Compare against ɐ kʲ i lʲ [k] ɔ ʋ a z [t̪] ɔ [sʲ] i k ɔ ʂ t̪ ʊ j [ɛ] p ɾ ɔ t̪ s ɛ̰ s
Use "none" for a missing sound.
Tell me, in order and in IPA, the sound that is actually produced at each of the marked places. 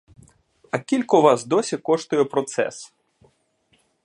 k, d̪, sʲ, ɛ

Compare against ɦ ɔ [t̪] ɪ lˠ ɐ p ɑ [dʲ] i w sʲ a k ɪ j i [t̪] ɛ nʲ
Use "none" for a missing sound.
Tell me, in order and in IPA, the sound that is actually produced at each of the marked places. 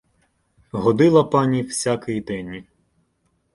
d̪, nʲ, d̪

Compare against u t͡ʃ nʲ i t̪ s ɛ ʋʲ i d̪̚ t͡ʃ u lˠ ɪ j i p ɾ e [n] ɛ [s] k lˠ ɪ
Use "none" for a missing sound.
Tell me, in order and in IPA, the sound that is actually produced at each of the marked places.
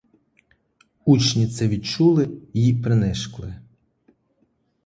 n, ʃ

